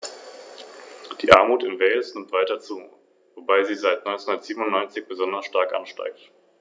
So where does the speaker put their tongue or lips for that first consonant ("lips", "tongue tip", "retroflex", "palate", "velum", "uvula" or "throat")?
tongue tip